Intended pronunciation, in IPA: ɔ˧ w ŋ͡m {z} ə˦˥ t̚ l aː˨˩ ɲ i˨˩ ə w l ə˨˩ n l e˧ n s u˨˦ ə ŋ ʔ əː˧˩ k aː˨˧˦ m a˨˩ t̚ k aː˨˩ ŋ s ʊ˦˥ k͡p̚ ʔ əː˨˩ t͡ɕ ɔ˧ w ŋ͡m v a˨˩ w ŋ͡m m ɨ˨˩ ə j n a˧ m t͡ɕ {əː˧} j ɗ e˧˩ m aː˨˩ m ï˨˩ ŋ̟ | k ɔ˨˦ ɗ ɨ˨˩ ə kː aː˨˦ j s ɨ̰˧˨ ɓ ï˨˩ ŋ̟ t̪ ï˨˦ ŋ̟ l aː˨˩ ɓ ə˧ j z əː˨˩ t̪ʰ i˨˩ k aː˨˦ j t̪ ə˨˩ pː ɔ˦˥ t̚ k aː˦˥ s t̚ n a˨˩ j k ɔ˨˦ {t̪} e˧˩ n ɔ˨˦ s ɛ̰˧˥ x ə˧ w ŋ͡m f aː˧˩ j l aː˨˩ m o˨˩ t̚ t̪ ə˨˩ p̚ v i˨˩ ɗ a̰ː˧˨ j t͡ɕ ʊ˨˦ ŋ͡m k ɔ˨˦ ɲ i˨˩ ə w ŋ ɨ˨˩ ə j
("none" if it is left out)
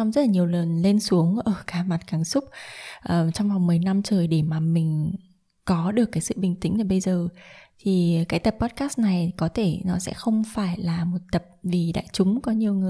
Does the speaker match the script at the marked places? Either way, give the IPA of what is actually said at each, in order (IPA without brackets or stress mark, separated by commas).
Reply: z, əː˨˩, t̪ʰ